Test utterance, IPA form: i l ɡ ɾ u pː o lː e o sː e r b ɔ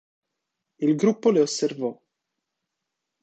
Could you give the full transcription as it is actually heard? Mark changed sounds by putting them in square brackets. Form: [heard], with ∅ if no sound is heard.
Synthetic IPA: i l ɡ ɾ u pː o [l] e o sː e r [v] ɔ